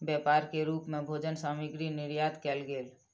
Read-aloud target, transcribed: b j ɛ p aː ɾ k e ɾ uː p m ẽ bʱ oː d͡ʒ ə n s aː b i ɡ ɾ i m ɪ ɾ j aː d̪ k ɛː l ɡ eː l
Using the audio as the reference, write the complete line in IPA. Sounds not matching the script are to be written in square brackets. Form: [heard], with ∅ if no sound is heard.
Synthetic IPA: b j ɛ p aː ɾ k e ɾ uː p m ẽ bʱ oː d͡ʒ ə n s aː [m] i ɡ ɾ i [n] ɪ ɾ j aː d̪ k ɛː l ɡ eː l